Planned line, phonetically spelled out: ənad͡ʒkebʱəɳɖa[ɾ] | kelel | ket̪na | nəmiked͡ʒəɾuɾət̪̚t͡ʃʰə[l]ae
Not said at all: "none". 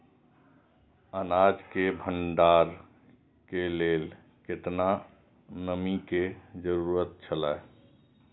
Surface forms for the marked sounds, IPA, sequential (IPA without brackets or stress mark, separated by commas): ɾ, l